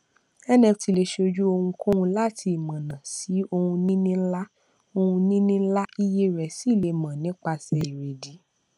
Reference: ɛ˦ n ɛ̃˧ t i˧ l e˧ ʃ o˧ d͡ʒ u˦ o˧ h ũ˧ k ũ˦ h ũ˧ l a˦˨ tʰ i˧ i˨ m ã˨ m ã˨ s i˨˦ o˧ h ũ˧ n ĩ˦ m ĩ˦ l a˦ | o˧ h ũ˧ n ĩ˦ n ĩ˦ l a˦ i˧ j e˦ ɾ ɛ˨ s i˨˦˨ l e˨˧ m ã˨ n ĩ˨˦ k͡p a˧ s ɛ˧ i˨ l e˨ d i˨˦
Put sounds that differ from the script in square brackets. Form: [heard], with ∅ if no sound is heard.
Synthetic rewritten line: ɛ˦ n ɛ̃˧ t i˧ l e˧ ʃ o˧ d͡ʒ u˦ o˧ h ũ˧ k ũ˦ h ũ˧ l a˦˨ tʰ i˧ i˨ m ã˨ [n] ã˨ s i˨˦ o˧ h ũ˧ n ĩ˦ [n] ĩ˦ l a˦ | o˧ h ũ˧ n ĩ˦ n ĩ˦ l a˦ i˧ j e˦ ɾ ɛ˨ s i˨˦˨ l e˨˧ m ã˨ n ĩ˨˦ k͡p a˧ s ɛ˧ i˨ [ɾ] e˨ d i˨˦